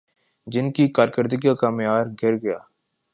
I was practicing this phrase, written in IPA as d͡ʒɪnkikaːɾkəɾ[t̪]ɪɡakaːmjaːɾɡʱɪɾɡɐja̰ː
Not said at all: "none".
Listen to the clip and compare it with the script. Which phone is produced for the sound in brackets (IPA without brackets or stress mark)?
d̪